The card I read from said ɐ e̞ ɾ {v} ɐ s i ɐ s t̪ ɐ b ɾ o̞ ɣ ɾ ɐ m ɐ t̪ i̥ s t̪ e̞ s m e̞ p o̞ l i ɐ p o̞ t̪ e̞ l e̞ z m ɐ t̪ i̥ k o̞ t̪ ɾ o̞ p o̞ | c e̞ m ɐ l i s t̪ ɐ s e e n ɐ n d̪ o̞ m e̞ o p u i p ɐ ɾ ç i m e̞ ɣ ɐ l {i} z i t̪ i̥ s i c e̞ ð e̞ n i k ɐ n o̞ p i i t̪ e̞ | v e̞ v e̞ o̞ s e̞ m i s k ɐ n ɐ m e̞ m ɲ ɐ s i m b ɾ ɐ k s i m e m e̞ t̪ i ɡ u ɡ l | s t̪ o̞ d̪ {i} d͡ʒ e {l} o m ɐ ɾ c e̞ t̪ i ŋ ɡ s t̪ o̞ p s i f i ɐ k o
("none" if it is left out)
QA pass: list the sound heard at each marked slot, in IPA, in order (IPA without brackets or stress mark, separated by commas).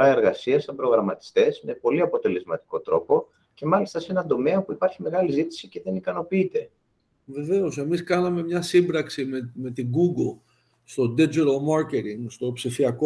ɣ, i, e, ɾ